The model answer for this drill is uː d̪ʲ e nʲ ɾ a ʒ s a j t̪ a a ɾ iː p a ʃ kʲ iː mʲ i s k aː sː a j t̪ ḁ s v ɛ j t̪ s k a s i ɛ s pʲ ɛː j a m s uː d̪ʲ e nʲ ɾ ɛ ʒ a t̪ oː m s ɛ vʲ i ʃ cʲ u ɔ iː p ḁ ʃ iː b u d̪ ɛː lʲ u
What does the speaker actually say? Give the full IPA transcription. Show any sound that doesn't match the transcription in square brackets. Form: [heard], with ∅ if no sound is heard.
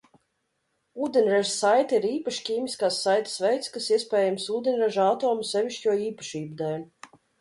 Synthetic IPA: uː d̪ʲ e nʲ ɾ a ʒ s a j t̪ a [i] ɾ iː p a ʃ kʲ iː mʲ i s k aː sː a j t̪ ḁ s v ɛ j t̪ s k a s i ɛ s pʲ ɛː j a m s uː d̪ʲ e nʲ ɾ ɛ ʒ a t̪ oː m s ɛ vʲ i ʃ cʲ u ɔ iː p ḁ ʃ iː b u d̪ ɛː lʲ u